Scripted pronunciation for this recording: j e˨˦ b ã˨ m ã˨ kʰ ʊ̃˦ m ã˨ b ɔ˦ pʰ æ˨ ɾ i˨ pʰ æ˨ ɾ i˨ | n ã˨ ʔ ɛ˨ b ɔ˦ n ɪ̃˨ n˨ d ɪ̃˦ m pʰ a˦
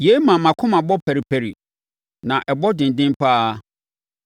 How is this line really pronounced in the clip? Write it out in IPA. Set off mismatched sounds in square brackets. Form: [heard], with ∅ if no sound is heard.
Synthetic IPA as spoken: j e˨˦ [m] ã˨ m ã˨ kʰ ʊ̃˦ m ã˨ b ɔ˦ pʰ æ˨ ɾ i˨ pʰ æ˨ ɾ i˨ | n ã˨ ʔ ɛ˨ b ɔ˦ [d] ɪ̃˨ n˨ d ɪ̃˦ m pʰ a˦